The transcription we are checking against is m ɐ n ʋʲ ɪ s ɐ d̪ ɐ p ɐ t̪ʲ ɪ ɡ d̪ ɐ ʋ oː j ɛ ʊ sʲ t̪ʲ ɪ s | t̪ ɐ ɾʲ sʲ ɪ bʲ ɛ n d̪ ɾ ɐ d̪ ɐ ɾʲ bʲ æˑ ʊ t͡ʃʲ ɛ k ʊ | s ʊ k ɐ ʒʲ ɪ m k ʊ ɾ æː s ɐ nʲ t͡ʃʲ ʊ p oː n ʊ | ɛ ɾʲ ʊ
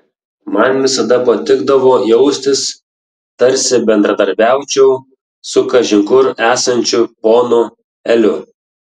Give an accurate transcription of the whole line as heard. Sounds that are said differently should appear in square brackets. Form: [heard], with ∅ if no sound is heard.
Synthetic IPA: m ɐ n ʋʲ ɪ s ɐ d̪ ɐ p ɐ t̪ʲ ɪ ɡ d̪ ɐ ʋ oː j ɛ ʊ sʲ t̪ʲ ɪ s | t̪ ɐ ɾʲ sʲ ɪ bʲ ɛ n d̪ ɾ ɐ d̪ ɐ ɾʲ bʲ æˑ ʊ t͡ʃʲ ɛ [∅] ʊ | s ʊ k ɐ ʒʲ ɪ [ŋ] k ʊ ɾ æː s ɐ nʲ t͡ʃʲ ʊ p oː n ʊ | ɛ [lʲ] ʊ